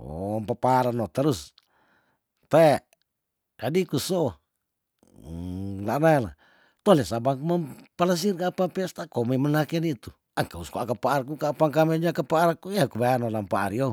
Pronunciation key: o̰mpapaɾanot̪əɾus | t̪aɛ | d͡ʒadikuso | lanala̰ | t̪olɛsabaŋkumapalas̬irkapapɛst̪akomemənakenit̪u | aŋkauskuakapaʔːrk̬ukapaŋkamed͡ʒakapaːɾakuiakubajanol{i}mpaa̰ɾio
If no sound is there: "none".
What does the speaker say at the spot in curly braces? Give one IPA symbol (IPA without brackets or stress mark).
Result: a